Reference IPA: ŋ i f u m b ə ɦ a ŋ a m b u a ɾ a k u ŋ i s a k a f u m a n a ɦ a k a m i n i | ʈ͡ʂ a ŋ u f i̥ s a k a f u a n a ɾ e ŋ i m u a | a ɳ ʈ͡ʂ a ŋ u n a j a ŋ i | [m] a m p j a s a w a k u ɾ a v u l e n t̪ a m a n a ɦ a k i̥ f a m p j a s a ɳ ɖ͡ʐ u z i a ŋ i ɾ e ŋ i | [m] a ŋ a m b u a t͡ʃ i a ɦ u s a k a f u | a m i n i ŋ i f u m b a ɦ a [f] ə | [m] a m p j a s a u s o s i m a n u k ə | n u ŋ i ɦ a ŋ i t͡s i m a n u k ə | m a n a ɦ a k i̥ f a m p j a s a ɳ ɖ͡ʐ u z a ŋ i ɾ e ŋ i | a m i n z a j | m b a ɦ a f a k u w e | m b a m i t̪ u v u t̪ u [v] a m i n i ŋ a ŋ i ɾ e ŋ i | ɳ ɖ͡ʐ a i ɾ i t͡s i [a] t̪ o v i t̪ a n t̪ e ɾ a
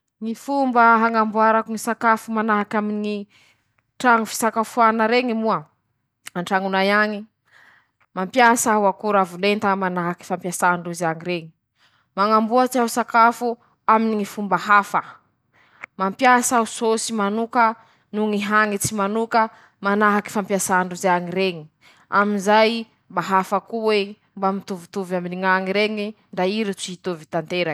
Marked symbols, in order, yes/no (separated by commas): yes, yes, yes, yes, yes, no